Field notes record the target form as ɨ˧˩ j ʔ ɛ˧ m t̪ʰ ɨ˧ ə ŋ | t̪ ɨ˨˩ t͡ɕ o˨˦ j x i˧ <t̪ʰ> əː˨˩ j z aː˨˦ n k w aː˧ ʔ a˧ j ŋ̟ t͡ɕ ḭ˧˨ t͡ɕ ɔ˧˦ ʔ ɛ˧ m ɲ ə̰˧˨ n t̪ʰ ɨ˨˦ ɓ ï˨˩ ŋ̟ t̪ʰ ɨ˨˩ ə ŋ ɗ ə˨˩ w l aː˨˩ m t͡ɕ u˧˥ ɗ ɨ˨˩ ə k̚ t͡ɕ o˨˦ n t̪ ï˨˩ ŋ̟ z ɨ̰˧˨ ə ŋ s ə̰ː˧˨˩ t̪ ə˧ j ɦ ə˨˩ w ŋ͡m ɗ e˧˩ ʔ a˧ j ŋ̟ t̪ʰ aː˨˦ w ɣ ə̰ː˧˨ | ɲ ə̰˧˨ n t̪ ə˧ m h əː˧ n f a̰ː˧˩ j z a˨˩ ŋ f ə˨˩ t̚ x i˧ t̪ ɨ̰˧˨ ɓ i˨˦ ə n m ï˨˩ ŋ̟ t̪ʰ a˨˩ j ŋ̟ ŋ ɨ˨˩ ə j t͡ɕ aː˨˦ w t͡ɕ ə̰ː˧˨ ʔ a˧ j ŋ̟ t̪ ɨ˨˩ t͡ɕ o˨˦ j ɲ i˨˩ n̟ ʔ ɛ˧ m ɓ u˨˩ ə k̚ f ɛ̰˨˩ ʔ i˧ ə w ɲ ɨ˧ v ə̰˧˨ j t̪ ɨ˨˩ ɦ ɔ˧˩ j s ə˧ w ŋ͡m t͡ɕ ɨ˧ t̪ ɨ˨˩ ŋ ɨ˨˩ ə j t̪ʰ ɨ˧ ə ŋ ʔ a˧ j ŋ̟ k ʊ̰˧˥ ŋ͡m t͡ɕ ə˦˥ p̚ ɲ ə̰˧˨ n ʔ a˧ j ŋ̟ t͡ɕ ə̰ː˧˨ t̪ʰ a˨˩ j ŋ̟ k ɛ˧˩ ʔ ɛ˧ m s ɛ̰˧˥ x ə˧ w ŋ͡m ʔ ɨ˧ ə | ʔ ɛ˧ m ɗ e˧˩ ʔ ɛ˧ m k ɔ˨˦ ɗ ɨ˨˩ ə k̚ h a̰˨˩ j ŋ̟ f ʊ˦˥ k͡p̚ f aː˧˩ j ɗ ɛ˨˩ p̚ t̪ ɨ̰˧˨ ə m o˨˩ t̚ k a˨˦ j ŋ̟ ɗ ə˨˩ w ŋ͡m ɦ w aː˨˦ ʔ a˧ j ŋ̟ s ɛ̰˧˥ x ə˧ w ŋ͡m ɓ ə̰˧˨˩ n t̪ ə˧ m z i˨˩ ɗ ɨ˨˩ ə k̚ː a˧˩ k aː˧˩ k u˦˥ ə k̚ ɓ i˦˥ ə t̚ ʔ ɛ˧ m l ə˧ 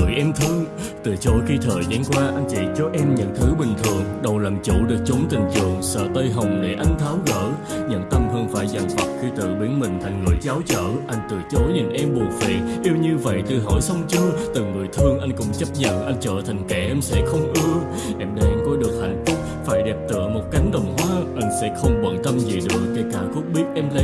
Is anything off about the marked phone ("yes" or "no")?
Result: no